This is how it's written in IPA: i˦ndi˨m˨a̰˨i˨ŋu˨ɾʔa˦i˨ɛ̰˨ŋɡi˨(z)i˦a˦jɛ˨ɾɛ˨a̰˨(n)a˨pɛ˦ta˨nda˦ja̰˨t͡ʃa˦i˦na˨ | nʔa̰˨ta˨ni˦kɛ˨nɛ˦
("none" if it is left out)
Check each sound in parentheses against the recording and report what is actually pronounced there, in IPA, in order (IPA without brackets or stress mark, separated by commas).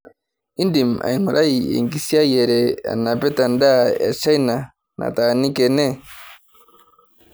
s, n